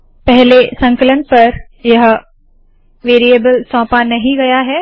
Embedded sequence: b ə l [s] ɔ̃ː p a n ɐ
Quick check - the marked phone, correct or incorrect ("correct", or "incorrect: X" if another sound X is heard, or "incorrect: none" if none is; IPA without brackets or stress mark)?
correct